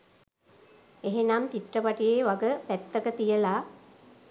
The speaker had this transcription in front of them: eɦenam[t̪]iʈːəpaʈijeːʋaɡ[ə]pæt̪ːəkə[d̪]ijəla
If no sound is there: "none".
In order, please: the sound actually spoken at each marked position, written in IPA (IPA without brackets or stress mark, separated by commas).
t̪, ə, t̪